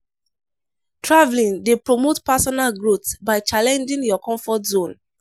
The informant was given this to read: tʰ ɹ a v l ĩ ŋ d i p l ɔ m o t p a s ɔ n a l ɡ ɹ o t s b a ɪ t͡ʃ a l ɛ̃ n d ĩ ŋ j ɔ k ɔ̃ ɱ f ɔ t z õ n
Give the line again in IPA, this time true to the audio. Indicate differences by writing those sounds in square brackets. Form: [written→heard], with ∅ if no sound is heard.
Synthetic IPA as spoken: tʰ ɹ a v l ĩ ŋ d [i→e] p [l→ɹ] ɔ m o t p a s ɔ n a l ɡ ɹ o t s b a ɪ t͡ʃ a l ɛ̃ n [d→d͡ʒ] ĩ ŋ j ɔ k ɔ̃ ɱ f ɔ t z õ n